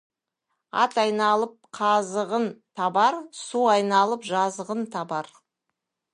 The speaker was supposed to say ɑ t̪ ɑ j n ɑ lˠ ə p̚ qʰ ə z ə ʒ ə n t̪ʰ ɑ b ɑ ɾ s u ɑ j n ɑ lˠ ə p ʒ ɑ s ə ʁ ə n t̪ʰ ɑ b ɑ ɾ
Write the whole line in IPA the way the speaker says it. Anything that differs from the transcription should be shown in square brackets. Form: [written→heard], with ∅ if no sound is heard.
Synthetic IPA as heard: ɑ t̪ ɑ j n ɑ lˠ ə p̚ qʰ [ə→ɑ] z ə [ʒ→ʁ] ə n t̪ʰ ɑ b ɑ ɾ s u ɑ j n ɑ lˠ ə p ʒ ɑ [s→z] ə ʁ ə n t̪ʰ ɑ b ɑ ɾ